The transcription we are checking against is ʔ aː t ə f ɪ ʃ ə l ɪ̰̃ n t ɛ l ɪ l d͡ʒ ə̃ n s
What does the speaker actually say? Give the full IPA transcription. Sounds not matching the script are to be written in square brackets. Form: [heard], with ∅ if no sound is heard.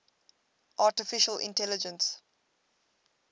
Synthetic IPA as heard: ʔ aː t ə f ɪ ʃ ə l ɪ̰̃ n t ɛ l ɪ [∅] d͡ʒ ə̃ n s

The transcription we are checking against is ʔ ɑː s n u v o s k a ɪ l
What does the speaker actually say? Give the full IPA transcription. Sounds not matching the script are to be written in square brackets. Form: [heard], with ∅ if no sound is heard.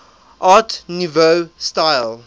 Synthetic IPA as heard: ʔ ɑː [t] n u v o s [t] a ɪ l

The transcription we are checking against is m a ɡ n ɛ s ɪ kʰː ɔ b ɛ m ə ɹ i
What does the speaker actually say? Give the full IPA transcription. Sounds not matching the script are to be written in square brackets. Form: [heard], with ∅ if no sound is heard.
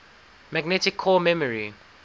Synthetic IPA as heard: m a ɡ n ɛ [t] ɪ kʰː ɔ [m] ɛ m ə ɹ i

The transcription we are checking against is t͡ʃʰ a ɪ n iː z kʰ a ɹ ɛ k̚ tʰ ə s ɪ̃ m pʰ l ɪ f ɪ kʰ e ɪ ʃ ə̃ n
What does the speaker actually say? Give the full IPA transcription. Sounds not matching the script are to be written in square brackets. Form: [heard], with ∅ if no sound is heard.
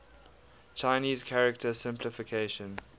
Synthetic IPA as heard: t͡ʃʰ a ɪ n iː z kʰ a ɹ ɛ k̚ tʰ ə s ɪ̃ m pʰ l ɪ f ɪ kʰ e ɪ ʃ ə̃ n

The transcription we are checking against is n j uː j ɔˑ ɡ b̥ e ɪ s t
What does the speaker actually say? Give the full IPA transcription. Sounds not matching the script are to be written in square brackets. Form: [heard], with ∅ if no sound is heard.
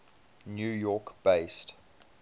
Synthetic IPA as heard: n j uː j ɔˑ [k] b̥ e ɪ s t

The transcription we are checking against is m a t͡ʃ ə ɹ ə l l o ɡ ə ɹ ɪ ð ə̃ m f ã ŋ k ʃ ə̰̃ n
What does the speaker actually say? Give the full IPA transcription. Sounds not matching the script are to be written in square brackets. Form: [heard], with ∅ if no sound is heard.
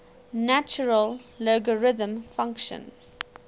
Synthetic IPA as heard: [n] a t͡ʃ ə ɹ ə l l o ɡ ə ɹ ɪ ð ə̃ m f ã ŋ k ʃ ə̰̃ n

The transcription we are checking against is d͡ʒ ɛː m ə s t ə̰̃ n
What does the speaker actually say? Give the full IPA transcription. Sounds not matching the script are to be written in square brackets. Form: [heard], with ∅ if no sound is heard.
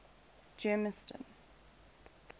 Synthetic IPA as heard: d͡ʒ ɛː m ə s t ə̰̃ n

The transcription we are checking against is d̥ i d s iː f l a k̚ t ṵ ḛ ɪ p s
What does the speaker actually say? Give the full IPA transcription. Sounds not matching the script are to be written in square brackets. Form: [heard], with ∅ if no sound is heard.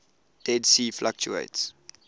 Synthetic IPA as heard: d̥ [ɛ] d s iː f l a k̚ [t͡ʃ] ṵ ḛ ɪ [t] s

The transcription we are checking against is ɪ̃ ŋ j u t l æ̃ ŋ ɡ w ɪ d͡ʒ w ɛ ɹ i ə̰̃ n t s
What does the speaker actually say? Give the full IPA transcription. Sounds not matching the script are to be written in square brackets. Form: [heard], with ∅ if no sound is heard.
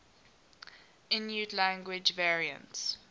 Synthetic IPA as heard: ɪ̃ [n] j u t l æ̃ ŋ ɡ w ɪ d͡ʒ [v] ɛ ɹ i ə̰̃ n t s

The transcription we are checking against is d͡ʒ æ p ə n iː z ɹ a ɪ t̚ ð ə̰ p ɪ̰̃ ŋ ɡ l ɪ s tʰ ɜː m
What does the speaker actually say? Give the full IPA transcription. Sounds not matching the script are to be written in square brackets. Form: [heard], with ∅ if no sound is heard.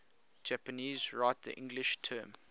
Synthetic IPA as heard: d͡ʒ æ p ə n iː z ɹ a ɪ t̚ ð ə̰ [ʔ] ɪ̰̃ ŋ ɡ l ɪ [ʃ] tʰ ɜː m

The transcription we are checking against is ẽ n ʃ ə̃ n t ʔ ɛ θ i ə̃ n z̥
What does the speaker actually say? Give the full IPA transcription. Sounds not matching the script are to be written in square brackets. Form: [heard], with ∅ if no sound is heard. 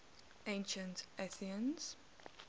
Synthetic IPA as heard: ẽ n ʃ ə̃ n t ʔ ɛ θ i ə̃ n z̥

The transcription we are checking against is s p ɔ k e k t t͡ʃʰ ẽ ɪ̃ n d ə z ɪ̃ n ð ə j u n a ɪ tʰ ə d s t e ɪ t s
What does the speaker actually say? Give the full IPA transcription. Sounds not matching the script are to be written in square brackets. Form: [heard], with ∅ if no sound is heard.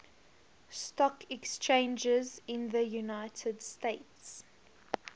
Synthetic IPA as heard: s [t] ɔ k [ɛ] k [s] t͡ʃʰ ẽ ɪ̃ n [d͡ʒ] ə z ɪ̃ n ð ə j u n a ɪ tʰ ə d s t e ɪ t s

